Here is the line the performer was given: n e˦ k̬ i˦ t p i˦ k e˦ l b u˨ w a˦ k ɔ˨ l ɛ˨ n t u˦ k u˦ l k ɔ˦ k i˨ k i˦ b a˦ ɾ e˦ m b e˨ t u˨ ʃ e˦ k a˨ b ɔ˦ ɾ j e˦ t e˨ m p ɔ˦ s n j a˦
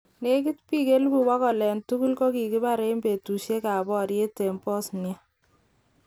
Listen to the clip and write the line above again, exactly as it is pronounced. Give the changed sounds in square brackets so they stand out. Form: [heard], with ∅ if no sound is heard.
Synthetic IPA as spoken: n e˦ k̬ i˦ t p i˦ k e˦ l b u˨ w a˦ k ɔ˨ l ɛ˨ n t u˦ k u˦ l k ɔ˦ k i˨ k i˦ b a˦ ɾ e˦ m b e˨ t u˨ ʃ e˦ k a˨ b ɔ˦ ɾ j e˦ t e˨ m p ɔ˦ s n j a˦